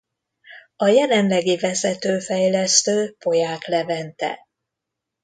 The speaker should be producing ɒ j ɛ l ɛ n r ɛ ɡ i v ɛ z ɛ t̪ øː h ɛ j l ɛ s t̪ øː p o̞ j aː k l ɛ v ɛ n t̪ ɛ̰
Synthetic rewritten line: ɒ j ɛ l ɛ n l ɛ ɡ i v ɛ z ɛ t̪ øː f ɛ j l ɛ s t̪ øː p o̞ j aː k l ɛ v ɛ n t̪ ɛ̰